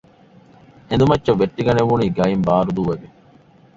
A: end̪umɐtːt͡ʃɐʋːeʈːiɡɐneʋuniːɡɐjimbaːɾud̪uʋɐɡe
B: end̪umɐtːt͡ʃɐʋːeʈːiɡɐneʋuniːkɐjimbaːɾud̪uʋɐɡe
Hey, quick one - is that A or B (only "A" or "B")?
A